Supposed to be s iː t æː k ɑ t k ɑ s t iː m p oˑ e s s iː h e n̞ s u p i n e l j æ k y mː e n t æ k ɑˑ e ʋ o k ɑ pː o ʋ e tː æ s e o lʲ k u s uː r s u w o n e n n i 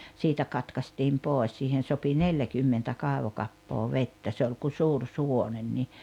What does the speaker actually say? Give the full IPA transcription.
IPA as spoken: s iː t æ k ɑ t k ɑ s t iː m p oˑ e s s iː h e n̞ s o p i n e l j æ k y mː e n t æ k ɑˑ e ʋ o k ɑ pː oː ʋ e tː æ s e o lʲ k u s uː r s u w o n e n n i